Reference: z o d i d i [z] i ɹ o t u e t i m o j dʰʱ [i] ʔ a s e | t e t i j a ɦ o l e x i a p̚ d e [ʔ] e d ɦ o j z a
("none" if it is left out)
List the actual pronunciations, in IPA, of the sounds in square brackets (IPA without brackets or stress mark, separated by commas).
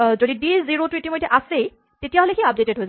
z, ɛ, t